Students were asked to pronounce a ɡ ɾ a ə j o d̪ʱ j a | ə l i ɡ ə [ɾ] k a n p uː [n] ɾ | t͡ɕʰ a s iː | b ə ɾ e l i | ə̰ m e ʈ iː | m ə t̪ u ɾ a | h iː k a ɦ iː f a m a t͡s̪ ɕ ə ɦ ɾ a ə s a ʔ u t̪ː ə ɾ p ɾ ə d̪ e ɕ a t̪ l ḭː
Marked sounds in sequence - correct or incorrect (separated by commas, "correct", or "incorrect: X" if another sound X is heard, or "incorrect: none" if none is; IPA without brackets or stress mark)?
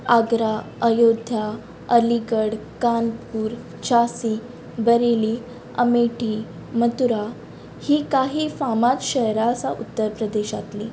incorrect: ɽ, incorrect: none